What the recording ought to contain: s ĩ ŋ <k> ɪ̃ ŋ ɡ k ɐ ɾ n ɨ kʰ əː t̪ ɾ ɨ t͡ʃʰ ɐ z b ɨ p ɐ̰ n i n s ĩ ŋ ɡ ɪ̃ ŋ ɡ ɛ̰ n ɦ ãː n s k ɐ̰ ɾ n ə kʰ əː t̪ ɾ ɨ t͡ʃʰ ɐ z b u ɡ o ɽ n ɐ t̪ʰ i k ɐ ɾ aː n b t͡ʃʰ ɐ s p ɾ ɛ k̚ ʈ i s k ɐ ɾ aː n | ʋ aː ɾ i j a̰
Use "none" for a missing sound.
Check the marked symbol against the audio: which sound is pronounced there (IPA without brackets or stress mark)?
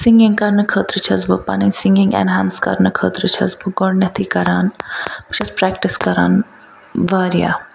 ɡ